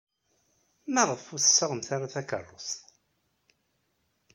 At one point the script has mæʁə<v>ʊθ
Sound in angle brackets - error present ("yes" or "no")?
yes